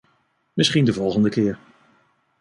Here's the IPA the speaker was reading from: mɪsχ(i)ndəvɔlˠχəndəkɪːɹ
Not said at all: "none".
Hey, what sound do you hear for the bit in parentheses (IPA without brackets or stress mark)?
i